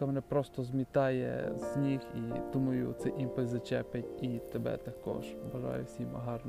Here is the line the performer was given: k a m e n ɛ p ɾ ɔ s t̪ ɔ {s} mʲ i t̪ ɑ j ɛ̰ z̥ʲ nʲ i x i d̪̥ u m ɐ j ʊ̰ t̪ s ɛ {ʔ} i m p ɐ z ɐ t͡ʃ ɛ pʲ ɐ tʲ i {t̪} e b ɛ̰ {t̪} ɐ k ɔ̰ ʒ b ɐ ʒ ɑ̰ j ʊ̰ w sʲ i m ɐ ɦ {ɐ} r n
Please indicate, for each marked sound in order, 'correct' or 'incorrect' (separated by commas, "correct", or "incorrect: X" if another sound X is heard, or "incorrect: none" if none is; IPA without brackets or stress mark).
incorrect: z, correct, correct, correct, incorrect: ɑ